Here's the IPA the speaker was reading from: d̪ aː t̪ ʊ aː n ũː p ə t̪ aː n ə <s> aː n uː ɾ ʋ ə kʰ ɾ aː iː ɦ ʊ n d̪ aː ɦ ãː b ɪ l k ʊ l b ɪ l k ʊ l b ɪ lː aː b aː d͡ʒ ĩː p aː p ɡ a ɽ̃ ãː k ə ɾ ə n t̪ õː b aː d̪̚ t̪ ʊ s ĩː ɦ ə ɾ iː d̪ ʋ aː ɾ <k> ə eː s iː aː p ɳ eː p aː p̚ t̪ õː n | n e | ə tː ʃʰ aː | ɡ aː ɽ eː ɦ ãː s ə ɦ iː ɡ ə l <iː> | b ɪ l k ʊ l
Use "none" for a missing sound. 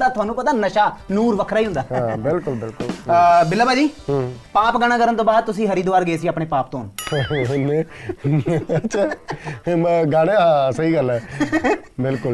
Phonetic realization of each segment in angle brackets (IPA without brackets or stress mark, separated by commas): ʃ, ɡ, ɛː